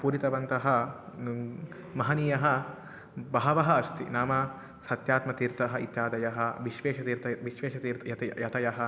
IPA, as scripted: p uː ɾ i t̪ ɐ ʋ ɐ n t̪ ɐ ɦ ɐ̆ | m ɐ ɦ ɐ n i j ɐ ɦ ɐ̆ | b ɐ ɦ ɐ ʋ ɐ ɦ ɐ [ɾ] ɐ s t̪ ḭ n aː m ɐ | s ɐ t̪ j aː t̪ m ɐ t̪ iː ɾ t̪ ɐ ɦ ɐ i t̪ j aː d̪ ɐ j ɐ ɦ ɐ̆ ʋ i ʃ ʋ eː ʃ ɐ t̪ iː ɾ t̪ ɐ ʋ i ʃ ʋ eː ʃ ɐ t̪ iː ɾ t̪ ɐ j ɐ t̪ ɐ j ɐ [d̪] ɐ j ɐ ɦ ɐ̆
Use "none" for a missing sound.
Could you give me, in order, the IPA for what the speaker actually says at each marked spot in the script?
none, t̪

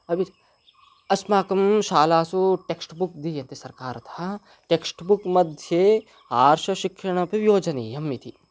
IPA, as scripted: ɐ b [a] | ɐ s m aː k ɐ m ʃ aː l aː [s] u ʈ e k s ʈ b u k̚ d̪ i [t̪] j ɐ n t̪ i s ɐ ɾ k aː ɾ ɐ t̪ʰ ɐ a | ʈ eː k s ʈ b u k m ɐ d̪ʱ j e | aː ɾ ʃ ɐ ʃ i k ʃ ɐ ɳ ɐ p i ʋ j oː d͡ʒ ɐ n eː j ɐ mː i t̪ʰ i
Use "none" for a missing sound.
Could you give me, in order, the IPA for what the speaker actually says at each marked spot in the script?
i, s, none

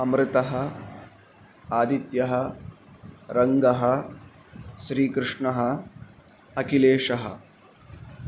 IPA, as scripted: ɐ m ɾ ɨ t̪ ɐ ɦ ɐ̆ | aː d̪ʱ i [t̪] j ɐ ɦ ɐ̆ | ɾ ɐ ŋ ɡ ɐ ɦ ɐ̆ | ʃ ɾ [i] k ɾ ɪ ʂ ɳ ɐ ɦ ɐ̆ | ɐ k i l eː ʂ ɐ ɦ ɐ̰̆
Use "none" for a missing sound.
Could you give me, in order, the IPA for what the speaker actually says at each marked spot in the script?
t̪, iː

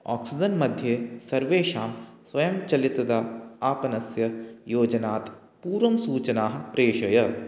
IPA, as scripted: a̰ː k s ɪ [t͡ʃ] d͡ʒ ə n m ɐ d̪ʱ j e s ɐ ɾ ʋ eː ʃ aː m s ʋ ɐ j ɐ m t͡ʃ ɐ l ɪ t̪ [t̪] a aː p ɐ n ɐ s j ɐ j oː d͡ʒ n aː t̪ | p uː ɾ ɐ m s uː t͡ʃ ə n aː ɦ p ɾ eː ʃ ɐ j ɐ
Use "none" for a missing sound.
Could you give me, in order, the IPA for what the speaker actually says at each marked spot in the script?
none, d̪

